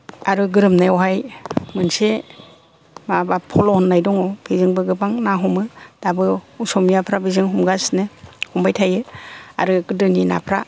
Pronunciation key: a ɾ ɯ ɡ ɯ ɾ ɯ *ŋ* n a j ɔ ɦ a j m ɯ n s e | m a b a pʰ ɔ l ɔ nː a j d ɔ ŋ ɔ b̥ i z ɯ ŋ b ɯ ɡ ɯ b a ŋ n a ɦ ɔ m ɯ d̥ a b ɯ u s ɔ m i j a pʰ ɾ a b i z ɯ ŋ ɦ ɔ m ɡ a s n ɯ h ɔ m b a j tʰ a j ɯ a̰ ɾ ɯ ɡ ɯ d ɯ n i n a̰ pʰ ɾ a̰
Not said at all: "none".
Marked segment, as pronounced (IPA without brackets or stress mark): m